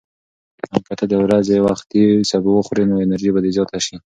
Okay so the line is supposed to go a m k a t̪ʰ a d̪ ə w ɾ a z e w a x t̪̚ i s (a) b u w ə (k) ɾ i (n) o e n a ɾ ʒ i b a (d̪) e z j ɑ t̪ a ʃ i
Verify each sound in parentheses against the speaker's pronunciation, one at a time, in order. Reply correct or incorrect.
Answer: correct, incorrect: x, correct, correct

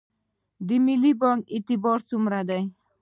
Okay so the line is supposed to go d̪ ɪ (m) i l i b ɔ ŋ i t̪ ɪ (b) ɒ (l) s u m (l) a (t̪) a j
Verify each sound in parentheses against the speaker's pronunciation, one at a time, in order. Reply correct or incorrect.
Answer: correct, correct, incorrect: ɾ, incorrect: ɾ, incorrect: d̪

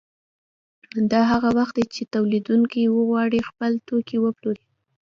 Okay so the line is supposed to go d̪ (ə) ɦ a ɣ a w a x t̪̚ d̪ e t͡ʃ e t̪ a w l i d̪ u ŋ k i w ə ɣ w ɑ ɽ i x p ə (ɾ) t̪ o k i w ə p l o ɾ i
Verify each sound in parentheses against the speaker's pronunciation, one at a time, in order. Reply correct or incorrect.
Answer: incorrect: ɑ, incorrect: l

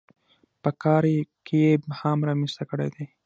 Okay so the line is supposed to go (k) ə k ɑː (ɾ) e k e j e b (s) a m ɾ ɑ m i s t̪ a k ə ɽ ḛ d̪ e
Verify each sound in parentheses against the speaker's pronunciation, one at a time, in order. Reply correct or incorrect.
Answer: incorrect: p, correct, incorrect: h

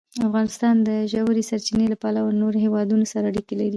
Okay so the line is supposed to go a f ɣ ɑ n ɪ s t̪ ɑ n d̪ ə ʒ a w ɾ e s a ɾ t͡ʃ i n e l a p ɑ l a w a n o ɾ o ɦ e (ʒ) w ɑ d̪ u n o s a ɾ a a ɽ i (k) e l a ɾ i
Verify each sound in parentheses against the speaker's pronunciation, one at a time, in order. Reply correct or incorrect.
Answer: incorrect: none, correct

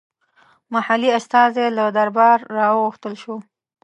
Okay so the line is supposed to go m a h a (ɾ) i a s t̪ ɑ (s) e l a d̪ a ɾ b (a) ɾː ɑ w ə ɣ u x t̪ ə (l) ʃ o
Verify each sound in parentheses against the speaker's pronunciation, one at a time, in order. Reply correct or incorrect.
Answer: incorrect: l, incorrect: z, incorrect: ɑ, correct

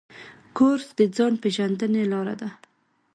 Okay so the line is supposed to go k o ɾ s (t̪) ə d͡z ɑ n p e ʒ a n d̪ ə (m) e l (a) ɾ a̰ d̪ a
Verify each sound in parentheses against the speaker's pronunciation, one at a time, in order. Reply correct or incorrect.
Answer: incorrect: d̪, incorrect: n, incorrect: ɑ

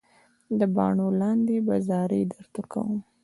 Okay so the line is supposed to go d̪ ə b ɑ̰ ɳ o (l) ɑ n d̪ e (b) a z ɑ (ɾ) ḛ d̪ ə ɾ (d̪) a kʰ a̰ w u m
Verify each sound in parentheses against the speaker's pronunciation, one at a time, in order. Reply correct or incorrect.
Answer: correct, correct, correct, incorrect: t̪

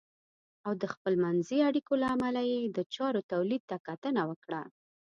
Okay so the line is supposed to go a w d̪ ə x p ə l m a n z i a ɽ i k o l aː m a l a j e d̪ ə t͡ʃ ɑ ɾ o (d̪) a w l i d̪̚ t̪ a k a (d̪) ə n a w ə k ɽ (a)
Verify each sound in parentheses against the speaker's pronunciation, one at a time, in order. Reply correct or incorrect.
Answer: incorrect: t̪, incorrect: t̪, correct

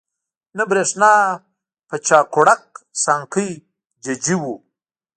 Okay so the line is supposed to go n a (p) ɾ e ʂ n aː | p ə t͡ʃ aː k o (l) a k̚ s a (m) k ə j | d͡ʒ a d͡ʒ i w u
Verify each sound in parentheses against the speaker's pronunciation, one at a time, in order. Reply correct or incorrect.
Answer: incorrect: b, incorrect: ɽ, incorrect: ŋ

